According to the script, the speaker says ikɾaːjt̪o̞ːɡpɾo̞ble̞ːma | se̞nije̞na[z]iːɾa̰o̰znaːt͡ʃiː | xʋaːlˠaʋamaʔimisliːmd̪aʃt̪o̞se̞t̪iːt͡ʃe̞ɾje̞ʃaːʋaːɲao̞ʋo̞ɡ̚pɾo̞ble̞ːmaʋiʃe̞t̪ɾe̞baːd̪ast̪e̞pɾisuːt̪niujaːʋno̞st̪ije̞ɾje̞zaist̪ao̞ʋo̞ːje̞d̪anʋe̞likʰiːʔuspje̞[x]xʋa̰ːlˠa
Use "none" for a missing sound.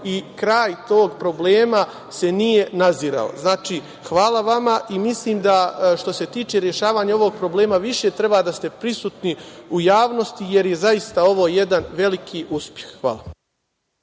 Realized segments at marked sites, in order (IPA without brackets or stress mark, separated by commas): z, x